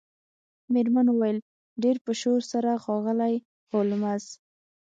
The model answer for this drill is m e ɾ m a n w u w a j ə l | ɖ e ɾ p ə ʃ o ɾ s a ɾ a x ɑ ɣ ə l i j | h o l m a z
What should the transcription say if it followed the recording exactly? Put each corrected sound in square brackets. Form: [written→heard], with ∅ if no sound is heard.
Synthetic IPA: m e ɾ m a n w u w a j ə l | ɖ e ɾ p ə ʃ o ɾ s a ɾ a x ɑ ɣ ə l [i→a] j | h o l m a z

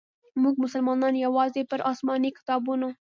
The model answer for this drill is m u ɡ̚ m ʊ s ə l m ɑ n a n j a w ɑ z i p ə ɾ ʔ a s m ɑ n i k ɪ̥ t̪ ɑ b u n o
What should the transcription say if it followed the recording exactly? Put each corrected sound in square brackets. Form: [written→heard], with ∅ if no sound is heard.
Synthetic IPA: m u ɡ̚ m ʊ s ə l m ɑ n [a→ɑ] n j a w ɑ z [i→e] p ə ɾ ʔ [a→ɑ] s m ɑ n i k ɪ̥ t̪ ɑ b u n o

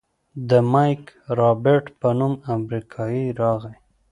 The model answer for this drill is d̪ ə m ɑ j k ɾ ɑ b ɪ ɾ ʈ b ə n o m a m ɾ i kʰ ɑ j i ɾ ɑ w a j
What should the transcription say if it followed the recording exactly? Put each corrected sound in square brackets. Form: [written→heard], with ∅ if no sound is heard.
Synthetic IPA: d̪ ə m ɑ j k ɾ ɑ b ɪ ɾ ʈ [b→p] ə n [o→u] m a m ɾ i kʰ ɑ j i ɾ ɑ [w→ɣ] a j

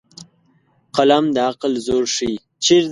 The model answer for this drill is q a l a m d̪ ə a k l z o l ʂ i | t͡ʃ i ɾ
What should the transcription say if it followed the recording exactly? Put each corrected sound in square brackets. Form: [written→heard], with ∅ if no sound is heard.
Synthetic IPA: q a l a m d̪ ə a [k→q] l z o [l→ɾ] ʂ i | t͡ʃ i ɾ

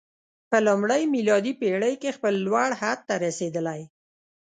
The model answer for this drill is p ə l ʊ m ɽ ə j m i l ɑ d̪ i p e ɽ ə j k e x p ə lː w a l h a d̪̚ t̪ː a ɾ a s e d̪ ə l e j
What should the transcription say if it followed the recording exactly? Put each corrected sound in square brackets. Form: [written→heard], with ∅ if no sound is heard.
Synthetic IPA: p ə l ʊ m ɽ ə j m i l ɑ d̪ i p e ɽ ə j k e x p ə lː w a [l→ɽ] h a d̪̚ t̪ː a ɾ a s e d̪ ə l [e→a] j

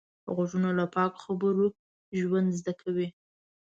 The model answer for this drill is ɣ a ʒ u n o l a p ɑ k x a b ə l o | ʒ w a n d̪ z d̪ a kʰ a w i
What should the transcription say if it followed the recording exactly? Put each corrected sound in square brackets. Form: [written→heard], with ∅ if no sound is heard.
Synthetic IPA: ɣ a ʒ u n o l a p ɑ k x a b ə [l→ɾ] o | ʒ w a n d̪ z d̪ a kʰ a w i

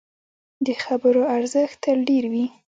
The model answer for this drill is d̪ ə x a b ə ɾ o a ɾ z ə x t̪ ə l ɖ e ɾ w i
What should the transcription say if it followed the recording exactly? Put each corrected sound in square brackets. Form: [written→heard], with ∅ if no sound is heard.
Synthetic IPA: d̪ ə x a b ə ɾ o a ɾ z ə x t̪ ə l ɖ e ɾ w i

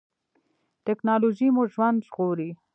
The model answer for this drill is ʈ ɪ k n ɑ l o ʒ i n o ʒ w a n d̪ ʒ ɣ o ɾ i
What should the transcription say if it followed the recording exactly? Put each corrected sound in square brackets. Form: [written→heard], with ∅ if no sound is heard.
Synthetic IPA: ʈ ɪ k n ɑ l o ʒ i [n→m] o ʒ w a n d̪ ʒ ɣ o ɾ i

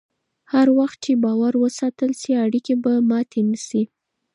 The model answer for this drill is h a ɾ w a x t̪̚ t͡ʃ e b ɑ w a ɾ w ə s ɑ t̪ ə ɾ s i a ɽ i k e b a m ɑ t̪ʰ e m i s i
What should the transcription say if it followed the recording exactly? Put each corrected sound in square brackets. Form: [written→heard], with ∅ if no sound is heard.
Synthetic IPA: h a ɾ w a x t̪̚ t͡ʃ e b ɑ w a ɾ w ə s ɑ t̪ ə [ɾ→l] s i a ɽ i k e b a m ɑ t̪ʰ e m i s i

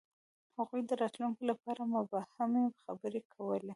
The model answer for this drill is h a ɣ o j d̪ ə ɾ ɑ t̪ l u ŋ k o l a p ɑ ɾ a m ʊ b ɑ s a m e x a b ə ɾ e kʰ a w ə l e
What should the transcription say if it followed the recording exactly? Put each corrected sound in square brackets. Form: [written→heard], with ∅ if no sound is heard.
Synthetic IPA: h a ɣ [o→u] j d̪ ə ɾ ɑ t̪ l u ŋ k o l a p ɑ ɾ a m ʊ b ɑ [s→h] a m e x a b ə ɾ e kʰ a w ə l e

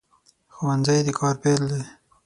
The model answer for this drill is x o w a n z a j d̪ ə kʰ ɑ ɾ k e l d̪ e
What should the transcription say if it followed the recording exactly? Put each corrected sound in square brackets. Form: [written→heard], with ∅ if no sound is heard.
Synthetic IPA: x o w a n z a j d̪ ə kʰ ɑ ɾ [k→p] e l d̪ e

